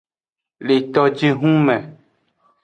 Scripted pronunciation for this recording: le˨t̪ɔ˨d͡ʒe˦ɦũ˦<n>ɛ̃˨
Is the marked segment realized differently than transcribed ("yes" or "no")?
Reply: yes